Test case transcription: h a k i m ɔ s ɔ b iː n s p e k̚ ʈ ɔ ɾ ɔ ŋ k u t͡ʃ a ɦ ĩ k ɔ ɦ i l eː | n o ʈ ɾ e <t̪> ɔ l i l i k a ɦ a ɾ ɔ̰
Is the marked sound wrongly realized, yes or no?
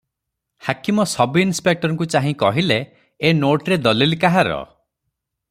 yes